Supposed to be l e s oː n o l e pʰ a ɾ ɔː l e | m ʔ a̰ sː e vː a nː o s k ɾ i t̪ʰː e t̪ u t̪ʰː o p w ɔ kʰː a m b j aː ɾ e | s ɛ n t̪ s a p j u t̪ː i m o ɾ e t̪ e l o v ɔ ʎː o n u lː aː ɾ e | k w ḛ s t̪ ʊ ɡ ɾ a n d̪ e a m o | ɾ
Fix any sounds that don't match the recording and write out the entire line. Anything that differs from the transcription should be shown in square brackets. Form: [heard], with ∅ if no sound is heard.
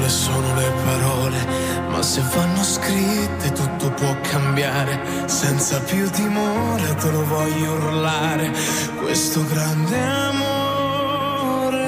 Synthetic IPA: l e s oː n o l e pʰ a ɾ ɔː l e | m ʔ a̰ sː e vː a nː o s k ɾ i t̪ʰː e t̪ u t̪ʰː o p w ɔ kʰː a m b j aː ɾ e | s ɛ n t̪ s a p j u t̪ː i m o ɾ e t̪ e l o v ɔ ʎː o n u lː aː ɾ e | k w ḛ s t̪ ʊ ɡ ɾ a n d̪ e a m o | ɾ